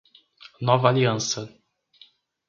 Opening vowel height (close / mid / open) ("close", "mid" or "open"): mid